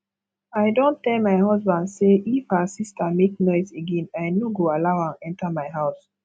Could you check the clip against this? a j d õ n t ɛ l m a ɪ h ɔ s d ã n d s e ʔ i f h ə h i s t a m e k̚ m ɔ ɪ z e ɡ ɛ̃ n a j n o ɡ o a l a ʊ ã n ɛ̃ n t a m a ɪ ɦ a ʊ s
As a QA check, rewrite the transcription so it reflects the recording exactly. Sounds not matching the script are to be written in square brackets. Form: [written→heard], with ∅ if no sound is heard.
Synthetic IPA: a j d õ n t ɛ l m a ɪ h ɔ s [d→b] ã n d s e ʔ i f h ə [h→s] i s t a m e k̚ [m→n] ɔ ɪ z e ɡ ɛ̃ n a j n o ɡ o a l a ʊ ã n ɛ̃ n t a m a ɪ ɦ a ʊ s